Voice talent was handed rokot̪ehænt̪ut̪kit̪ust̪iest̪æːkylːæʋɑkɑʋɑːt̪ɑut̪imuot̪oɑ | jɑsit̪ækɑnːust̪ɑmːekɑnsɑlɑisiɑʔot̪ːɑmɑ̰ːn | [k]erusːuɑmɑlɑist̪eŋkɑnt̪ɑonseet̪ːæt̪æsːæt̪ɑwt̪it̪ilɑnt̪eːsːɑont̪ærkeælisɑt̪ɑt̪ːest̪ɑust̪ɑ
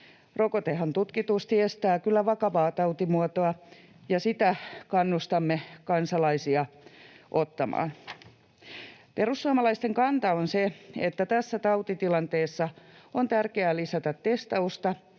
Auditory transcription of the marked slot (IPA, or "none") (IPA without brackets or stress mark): p